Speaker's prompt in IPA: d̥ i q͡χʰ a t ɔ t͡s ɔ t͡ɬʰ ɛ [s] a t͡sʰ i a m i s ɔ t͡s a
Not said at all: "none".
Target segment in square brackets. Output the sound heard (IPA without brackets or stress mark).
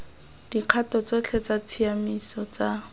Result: t͡s